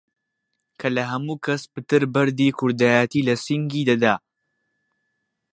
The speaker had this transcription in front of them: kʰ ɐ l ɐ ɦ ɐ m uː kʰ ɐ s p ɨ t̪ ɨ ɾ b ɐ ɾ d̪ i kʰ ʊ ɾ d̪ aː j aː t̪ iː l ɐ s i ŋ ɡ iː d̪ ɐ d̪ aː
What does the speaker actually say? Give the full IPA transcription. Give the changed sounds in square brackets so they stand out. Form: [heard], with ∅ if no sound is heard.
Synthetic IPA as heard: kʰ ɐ l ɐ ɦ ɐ m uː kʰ ɐ s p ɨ t̪ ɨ ɾ b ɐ ɾ d̪ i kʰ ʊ ɾ d̪ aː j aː t̪ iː l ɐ s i ŋ ɡ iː d̪ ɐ d̪ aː